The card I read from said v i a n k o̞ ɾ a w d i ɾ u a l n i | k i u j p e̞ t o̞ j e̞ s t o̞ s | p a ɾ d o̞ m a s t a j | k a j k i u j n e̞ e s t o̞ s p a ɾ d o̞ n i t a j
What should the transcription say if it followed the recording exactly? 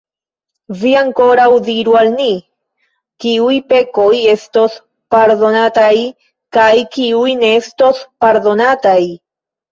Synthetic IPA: v i a ŋ k o̞ ɾ a w d i ɾ u a l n i | k i u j p e̞ k o̞ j e̞ s t o̞ s | p a ɾ d o̞ n a t a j | k a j k i u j n e̞ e s t o̞ s p a ɾ d o̞ n a t a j

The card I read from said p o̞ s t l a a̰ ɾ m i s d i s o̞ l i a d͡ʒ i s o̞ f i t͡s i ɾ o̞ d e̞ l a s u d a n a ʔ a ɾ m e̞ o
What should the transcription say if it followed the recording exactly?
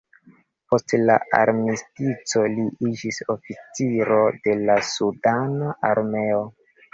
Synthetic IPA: p o̞ s t l a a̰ ɾ m i s t i t͡s o̞ l i i d͡ʒ i s o̞ f i t͡s i ɾ o̞ d e̞ l a s u d a n a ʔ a ɾ m e̞ o

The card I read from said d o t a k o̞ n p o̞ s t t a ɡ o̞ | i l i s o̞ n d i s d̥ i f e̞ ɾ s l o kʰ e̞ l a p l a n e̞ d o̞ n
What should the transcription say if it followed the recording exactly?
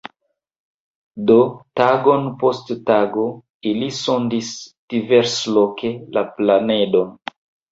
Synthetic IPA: d o t a ɡ o̞ n p o̞ s t t a ɡ o̞ | i l i s o̞ n d i s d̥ i v e̞ ɾ s l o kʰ e̞ l a p l a n e̞ d o̞ n

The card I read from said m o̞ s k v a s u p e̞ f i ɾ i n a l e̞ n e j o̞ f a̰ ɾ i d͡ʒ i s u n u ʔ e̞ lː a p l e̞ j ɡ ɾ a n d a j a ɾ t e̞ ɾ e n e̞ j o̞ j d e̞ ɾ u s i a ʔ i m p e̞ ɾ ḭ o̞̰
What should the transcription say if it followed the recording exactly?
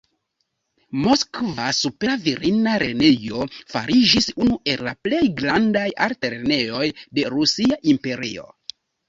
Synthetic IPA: m o̞ s k v a s u p e̞ v i ɾ i n a ɾ e̞ n e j o̞ f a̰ ɾ i d͡ʒ i s u n u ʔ e̞ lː a p l e̞ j ɡ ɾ a n d a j a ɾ t e̞ ɾ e n e̞ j o̞ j d e̞ ɾ u s i a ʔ i m p e̞ ɾ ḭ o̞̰

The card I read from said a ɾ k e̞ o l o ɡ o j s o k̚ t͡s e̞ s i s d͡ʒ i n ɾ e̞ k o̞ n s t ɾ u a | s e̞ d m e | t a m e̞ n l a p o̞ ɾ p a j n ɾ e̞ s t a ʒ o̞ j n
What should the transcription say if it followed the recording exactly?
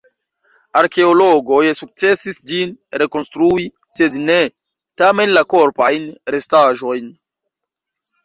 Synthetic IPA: a ɾ k e̞ o l o ɡ o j s u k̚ t͡s e̞ s i s d͡ʒ i n ɾ e̞ k o̞ n s t ɾ u i | s e̞ d n e | t a m e̞ n l a k o̞ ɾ p a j n ɾ e̞ s t a ʒ o̞ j n

